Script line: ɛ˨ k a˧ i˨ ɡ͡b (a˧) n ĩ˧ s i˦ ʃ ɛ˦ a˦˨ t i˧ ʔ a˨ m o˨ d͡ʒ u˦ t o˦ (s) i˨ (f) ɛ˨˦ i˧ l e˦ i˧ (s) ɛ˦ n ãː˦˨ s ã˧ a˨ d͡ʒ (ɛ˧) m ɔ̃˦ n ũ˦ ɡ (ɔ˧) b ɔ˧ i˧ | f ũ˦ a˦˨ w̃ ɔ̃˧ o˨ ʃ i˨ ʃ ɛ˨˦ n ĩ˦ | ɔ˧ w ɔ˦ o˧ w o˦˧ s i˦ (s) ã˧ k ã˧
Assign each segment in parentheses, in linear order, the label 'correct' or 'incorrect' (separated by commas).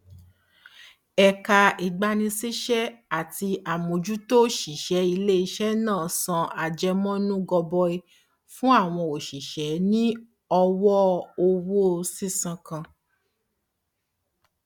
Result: correct, incorrect, incorrect, incorrect, correct, correct, correct